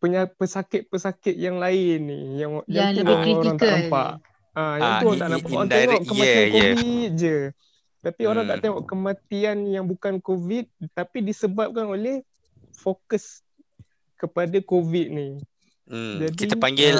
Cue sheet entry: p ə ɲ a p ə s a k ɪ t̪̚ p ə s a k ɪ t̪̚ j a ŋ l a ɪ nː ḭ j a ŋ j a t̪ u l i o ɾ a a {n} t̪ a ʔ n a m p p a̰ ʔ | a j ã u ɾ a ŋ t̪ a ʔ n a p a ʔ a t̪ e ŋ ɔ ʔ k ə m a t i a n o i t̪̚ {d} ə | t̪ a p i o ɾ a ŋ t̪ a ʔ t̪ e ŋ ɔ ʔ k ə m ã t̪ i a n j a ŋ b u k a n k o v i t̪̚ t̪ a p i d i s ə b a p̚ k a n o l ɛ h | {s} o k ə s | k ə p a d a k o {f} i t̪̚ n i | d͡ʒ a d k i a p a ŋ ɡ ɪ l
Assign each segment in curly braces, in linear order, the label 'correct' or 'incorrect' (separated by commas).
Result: incorrect, incorrect, incorrect, incorrect